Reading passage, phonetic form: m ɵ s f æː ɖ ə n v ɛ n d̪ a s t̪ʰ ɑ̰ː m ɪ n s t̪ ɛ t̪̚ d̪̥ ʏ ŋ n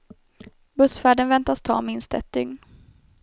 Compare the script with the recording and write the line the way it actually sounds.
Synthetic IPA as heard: b ɵ s f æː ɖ ə n v ɛ n t̪ a s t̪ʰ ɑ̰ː m ɪ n s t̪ ɛ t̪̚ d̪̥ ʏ ŋ n

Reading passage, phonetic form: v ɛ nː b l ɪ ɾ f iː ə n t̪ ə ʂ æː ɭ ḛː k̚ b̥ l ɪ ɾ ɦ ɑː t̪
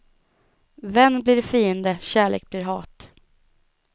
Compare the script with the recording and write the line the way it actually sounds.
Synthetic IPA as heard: v ɛ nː b l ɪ ɾ f iː ə n d̪ ə ɕ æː ɭ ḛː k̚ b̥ l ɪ ɾ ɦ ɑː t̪

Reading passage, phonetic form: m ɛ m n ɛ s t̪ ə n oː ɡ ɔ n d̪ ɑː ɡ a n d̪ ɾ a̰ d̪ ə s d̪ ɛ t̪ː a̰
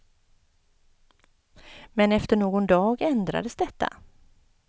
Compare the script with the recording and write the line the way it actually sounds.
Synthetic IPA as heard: m ɛ n ɛ f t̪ ə ɳ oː ɡ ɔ n d̪ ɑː ɡ ɛ n d̪ ɾ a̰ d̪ ə s d̪ ɛ t̪ː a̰

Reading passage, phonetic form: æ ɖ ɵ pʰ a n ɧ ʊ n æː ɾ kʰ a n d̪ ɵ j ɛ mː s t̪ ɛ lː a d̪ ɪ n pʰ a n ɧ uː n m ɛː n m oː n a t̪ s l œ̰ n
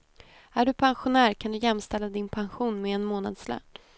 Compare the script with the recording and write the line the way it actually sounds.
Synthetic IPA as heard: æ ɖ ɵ pʰ a n ɧ ʊ n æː ɾ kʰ a n d̪ ɵ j ɛ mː s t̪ ɛ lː a d̪ ɪ n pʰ a n ɧ uː n m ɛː n m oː n a d̪ s l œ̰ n

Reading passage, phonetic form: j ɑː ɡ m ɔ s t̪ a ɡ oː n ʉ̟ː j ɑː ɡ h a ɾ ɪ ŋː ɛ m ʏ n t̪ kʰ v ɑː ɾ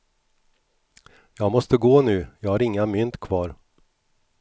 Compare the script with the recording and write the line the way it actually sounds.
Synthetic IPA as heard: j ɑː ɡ m ɔ s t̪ ə ɡ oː n ʉ̟ː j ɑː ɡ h a ɾ ɪ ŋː a m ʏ n t̪ kʰ v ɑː ɾ

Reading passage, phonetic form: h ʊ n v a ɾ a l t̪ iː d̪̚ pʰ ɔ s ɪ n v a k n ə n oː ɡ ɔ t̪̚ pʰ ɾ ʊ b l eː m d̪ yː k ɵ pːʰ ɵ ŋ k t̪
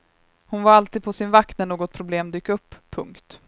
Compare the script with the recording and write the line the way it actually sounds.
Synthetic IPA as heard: h ʊ n v a ɾ a l t̪ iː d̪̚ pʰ ɔ s ɪ n v a k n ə n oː ɡ ɔ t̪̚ pʰ ɾ ʊ b l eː m d̪ yː k ɵ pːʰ ɵ ŋ k t̪

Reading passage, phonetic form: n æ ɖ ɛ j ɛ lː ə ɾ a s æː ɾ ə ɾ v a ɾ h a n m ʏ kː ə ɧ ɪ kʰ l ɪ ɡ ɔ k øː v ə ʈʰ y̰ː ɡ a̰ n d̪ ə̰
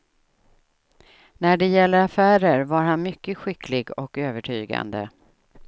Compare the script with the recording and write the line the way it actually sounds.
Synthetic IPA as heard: n æ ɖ ɛ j ɛ lː ə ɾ a f æː ɾ ə ɾ v a ɾ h a n m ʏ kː ə ɧ ɪ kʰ l ɪ ɡ ɔ k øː v ə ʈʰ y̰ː ɡ a̰ n d̪ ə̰

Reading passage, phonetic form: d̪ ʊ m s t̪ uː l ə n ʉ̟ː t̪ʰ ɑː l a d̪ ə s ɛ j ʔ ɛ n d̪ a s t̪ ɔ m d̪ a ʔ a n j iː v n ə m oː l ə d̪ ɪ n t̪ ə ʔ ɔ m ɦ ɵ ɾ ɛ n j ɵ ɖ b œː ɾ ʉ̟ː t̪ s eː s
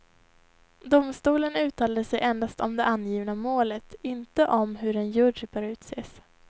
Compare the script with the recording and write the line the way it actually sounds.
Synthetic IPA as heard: d̪ ʊ m s t̪ uː l ə n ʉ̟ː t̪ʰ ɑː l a d̪ ə s ɛ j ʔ ɛ n d̪ a s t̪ ɔ m d̪ ɛ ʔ a n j iː v n a m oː l ə t̪ ɪ n t̪ ə ʔ ɔ m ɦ ɵ ɾ ɛ n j ɵ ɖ b œː ɾ ʉ̟ː t̪ s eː s

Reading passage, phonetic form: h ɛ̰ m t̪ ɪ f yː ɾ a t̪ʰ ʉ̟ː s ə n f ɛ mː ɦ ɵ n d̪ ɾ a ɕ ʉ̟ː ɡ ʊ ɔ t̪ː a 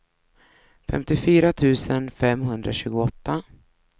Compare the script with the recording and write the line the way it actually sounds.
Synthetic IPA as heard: f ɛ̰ m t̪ ɪ f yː ɾ a t̪ʰ ʉ̟ː s ə n f ɛ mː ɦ ɵ n d̪ ɾ a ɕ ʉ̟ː ɡ ʊ ɔ t̪ː a

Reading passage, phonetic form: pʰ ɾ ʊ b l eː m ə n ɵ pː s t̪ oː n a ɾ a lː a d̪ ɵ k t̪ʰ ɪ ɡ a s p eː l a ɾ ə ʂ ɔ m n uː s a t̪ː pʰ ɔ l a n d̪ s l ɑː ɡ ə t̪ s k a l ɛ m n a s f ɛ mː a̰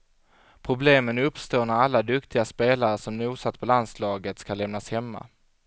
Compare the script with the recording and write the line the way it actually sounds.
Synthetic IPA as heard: pʰ ɾ ʊ b l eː m ə n ɵ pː s t̪ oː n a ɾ a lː a d̪ ɵ k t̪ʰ ɪ ɡ a s p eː l a ɾ ə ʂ ɔ m n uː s a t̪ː pʰ ɔ l a n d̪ s l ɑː ɡ ə t̪ s k a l ɛ m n a s h ɛ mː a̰

